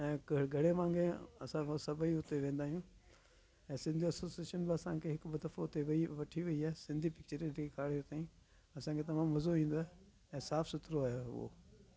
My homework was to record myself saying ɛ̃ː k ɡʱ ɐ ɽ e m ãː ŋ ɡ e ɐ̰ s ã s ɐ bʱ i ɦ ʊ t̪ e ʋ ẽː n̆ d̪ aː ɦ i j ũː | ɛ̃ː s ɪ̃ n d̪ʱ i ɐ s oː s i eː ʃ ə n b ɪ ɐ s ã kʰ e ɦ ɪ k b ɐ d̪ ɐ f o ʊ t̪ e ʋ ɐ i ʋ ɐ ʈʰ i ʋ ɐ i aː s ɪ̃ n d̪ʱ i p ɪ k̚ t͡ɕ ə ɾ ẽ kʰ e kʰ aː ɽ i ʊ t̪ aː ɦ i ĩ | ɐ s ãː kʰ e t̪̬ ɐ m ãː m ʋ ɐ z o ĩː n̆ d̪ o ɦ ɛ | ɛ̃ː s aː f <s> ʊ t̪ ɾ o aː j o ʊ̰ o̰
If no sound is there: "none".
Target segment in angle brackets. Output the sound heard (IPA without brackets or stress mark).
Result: s